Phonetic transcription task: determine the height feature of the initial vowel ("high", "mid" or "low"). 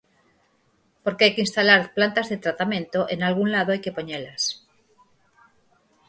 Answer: mid